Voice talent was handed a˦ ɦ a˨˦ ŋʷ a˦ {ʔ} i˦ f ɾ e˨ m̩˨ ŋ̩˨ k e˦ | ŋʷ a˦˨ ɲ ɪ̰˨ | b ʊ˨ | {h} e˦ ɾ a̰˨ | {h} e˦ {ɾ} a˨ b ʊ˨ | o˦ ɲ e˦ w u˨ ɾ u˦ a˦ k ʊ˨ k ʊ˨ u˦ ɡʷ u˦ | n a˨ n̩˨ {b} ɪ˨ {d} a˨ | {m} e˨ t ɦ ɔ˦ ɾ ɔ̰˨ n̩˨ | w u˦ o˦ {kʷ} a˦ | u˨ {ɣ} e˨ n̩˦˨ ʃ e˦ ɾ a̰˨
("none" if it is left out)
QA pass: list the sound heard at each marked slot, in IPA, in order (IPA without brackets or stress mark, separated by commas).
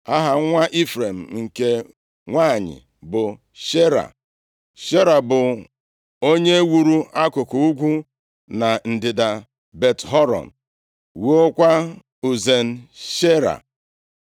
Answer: ʔ, ʃ, ʃ, ɾ, d, d, b, kʷ, z